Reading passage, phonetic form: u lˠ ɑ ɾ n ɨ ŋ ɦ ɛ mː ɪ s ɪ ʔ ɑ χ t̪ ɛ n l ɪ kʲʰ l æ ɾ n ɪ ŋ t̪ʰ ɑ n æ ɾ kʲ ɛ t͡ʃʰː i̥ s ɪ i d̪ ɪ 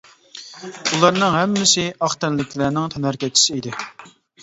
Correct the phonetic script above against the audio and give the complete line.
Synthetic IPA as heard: u lˠ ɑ ɾ n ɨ ŋ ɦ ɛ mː ɪ s ɪ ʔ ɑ χ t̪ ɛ n l ɪ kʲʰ l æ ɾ n ɪ ŋ t̪ʰ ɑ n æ ɾ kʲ ɛ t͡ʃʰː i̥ s ɪ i d̪ ɪ